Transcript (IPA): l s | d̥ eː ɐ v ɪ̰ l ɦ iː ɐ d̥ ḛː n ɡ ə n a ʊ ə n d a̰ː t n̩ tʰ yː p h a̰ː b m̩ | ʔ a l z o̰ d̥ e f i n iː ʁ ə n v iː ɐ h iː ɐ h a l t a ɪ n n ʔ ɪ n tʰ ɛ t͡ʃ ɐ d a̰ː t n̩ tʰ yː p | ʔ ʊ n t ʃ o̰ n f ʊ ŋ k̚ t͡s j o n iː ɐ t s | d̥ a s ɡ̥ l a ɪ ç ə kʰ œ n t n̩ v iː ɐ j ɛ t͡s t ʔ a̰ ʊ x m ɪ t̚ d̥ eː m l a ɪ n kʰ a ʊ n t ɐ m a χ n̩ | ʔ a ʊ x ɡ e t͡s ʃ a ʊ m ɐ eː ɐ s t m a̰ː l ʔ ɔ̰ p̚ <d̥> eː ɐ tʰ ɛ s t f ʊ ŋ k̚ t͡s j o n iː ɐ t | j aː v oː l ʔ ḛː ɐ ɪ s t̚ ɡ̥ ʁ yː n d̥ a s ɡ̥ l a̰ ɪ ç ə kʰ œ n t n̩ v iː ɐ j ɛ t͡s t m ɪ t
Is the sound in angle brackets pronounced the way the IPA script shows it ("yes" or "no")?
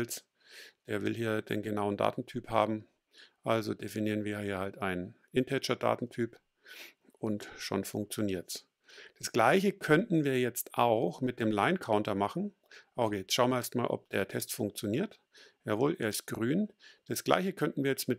yes